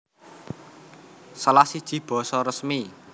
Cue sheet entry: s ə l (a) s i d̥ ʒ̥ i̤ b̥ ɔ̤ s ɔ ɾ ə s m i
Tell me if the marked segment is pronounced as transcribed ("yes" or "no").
yes